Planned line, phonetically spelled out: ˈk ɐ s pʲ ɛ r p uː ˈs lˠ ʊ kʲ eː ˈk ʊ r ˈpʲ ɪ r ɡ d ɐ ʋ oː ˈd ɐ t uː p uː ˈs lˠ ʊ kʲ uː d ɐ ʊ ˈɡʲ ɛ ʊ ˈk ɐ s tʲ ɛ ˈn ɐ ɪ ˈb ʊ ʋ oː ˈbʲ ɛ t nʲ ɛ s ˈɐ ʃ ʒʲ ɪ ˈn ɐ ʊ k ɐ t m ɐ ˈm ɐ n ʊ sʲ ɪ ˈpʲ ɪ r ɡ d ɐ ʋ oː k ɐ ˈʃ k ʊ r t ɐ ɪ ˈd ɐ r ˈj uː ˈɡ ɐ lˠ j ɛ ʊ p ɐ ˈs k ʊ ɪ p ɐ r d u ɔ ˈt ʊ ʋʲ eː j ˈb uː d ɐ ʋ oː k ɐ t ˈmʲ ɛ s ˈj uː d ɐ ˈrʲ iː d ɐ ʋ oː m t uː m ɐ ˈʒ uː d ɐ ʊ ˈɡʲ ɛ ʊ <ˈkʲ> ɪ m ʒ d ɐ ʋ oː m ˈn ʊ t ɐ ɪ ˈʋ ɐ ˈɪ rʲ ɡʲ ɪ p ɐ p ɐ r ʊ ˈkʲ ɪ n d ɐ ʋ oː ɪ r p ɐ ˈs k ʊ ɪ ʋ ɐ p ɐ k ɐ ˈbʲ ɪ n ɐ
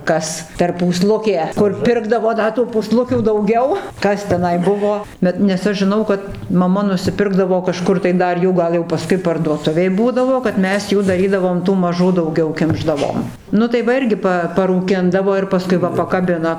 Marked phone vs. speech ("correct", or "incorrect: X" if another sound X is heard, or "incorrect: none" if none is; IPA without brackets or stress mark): correct